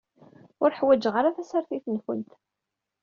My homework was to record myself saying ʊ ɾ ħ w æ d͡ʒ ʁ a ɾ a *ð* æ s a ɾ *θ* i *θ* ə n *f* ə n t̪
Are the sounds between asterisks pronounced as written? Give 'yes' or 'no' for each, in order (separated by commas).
no, yes, yes, yes